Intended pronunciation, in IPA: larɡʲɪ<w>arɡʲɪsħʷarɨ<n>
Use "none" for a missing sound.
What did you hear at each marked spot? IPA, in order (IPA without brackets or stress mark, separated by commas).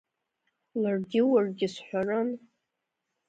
w, n